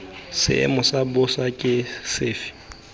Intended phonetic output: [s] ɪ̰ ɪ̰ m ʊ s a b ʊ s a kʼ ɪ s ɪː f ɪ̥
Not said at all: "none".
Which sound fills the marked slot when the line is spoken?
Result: s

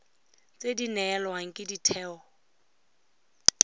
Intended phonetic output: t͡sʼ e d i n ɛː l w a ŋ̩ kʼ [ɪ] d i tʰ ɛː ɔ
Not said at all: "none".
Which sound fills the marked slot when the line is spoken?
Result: ɪ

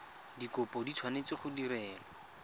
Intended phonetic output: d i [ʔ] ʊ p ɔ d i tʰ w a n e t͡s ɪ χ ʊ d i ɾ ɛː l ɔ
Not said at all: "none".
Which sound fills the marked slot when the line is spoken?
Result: k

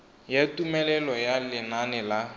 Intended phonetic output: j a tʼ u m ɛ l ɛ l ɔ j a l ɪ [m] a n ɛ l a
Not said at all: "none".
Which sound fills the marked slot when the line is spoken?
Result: n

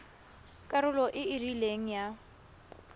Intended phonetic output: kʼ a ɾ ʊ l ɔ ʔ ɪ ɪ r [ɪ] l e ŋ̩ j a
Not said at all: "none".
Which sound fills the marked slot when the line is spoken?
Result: i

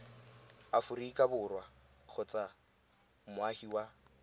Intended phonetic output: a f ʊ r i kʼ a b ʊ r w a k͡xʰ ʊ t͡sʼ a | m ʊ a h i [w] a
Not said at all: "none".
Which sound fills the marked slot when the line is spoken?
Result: w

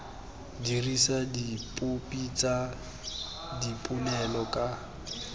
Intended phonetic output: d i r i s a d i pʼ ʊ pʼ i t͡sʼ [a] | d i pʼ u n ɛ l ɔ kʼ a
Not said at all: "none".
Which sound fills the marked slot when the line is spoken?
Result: a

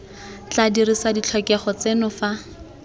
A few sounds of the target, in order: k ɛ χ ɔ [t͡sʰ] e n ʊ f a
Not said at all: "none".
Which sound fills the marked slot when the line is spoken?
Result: t͡s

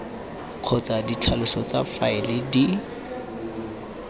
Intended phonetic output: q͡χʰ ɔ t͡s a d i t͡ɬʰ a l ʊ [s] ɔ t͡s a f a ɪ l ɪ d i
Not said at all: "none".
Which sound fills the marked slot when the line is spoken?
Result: s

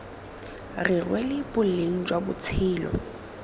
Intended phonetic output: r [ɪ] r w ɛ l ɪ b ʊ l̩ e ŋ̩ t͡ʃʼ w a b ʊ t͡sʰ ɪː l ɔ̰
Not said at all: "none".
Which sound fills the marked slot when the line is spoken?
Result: ɪ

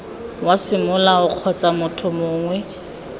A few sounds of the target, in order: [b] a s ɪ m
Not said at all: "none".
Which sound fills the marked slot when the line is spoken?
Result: w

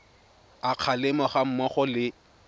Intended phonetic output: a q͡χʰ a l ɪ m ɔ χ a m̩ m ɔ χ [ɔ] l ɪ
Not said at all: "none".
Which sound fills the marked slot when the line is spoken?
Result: ɔ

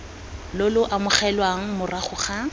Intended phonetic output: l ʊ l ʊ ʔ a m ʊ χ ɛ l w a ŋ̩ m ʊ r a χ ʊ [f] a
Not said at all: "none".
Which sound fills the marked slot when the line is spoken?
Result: χ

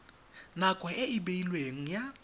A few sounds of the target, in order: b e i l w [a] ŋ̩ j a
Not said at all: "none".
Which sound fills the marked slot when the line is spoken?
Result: e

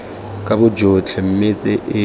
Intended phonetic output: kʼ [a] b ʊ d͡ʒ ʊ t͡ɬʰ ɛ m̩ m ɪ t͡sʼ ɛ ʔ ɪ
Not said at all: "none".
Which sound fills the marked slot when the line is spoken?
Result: a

